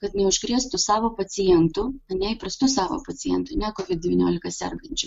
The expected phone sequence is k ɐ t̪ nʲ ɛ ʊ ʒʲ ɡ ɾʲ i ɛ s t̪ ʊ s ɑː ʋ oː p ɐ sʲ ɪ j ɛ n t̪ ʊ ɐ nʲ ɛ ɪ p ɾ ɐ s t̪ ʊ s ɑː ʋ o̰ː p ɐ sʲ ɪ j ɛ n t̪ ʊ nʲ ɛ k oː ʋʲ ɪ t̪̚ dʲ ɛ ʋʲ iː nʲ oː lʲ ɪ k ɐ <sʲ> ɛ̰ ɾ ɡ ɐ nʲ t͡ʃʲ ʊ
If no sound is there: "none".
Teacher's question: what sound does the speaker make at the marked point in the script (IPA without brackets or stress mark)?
sʲ